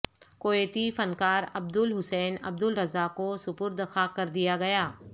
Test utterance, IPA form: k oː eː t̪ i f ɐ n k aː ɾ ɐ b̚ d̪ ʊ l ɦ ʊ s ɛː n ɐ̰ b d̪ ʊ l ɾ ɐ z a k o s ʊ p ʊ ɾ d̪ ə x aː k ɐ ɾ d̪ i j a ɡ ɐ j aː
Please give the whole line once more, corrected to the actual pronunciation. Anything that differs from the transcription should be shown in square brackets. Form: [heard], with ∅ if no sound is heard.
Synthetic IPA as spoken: k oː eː t̪ i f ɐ n k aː ɾ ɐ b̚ d̪ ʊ l ɦ ʊ s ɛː n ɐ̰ b d̪ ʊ l ɾ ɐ z a k o s ʊ p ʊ ɾ d̪ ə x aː k ɐ ɾ d̪ i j a ɡ ɐ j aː